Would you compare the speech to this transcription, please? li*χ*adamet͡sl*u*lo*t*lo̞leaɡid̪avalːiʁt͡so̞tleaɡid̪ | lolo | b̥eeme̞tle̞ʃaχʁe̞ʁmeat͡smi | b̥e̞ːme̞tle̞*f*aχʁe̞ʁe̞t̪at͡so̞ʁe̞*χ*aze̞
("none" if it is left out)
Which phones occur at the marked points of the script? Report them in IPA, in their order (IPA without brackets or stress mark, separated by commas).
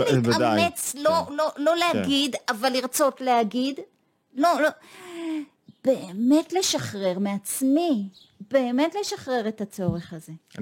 none, o, none, ʃ, χ